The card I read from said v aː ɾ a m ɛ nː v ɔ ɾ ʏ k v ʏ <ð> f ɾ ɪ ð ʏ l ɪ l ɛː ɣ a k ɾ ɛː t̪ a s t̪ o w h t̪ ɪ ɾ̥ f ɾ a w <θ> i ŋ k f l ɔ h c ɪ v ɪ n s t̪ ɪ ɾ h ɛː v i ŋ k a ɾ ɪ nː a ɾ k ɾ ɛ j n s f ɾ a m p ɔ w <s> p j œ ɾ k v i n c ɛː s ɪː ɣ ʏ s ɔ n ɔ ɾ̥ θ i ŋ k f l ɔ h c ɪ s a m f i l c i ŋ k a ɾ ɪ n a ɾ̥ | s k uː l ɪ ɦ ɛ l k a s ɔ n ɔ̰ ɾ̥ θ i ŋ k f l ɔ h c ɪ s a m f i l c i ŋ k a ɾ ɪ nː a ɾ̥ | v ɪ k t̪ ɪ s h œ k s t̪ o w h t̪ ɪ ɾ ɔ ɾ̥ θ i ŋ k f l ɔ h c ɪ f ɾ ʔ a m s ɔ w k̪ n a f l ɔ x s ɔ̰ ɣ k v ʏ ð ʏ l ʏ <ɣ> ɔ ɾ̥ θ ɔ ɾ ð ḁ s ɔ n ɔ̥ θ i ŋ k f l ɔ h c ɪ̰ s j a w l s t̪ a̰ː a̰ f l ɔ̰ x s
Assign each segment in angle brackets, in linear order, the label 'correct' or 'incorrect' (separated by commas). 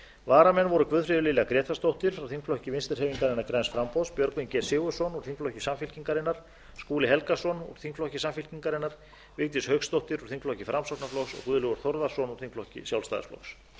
correct, correct, correct, correct